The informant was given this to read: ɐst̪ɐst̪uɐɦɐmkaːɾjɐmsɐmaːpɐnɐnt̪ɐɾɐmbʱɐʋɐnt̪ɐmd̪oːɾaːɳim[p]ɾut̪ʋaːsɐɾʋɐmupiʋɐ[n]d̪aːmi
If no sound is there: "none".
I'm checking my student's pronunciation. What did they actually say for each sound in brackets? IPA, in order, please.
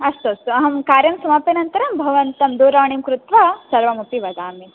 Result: k, none

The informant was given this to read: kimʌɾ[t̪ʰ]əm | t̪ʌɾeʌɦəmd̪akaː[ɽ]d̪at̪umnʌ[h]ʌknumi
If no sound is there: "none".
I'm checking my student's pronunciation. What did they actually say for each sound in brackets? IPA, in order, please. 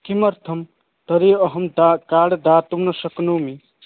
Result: t̪ʰ, ɽ, s

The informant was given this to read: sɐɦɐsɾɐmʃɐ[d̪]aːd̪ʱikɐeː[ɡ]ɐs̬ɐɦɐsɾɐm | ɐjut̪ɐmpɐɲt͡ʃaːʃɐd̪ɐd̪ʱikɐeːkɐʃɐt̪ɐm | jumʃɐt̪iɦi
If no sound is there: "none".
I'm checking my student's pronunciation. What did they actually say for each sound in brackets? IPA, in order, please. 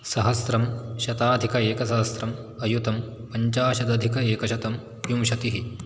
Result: t̪, k

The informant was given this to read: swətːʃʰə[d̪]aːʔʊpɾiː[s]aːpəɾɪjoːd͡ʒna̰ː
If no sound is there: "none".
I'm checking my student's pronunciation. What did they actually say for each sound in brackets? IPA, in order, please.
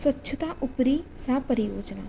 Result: t̪, s

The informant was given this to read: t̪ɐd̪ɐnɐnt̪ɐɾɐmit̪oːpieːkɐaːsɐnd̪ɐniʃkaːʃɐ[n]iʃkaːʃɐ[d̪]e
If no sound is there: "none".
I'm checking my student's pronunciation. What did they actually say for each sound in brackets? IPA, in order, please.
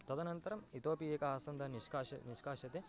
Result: n, t̪

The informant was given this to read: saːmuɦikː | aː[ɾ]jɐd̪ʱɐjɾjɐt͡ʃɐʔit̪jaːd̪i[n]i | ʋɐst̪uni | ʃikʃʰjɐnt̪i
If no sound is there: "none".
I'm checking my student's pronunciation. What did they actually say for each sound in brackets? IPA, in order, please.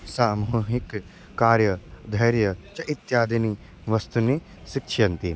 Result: ɾ, n

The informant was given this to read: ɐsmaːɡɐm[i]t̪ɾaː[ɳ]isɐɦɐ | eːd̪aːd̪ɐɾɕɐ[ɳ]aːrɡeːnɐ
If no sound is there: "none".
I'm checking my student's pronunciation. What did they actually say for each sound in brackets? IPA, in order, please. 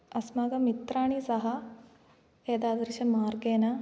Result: i, ɳ, m

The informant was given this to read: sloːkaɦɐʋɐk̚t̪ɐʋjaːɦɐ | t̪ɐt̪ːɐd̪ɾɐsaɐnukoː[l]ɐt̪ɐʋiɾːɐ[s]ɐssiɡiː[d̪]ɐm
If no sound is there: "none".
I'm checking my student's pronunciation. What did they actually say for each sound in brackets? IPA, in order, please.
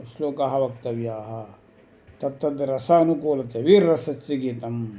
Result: l, s, t̪

